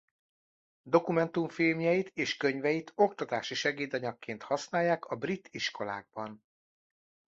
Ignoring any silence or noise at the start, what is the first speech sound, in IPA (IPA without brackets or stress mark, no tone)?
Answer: d̪